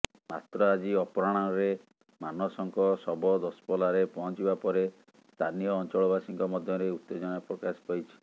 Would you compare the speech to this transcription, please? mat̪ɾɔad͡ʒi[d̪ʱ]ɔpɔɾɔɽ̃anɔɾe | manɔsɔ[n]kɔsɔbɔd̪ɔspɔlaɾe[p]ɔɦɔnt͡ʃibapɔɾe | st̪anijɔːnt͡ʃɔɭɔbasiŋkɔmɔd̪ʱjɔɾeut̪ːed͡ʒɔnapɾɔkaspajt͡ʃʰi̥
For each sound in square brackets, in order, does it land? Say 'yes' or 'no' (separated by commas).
no, no, yes